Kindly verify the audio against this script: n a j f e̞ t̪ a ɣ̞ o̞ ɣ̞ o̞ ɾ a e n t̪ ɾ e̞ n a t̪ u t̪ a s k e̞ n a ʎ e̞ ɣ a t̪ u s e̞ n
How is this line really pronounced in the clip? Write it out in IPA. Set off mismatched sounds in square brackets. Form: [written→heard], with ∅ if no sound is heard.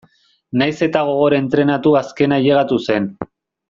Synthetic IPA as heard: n a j [f→s] e̞ t̪ a ɣ̞ o̞ ɣ̞ o̞ ɾ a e n t̪ ɾ e̞ n a t̪ u [t̪→∅] a s k e̞ n a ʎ e̞ ɣ a t̪ u s e̞ n